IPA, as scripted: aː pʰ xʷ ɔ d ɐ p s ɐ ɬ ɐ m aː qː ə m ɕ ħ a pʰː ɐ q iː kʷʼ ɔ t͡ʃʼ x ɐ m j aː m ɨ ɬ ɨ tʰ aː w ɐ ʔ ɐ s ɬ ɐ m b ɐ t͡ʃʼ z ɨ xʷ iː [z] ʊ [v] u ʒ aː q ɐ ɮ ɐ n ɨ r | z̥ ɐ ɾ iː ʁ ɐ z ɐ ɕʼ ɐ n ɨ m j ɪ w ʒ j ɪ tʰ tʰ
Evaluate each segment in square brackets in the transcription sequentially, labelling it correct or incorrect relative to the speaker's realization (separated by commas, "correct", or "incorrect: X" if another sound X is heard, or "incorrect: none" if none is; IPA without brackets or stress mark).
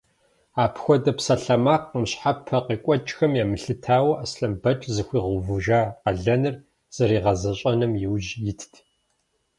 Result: incorrect: ʁ, correct